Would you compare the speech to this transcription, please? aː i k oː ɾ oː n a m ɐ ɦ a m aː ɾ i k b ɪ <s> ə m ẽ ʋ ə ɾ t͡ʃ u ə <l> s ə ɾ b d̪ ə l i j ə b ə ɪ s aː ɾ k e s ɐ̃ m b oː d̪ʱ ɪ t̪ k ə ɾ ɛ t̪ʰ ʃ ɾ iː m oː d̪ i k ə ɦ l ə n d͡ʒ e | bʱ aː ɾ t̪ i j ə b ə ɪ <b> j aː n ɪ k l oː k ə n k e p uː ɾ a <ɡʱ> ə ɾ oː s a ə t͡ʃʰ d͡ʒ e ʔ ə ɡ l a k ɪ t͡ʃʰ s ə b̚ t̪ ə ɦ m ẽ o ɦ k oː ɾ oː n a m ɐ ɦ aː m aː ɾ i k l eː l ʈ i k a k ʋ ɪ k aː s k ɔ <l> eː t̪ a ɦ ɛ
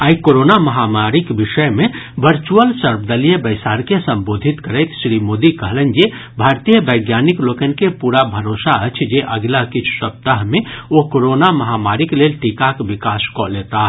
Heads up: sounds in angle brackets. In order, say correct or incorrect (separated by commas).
incorrect, correct, incorrect, incorrect, correct